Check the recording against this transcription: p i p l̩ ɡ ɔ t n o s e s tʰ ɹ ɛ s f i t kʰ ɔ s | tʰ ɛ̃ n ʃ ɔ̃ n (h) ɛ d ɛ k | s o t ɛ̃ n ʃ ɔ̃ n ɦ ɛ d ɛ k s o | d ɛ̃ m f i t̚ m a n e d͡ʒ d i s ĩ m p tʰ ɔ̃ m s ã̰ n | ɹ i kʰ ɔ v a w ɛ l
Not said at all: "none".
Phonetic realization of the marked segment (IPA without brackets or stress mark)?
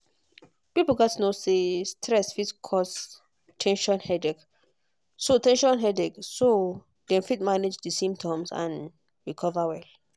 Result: h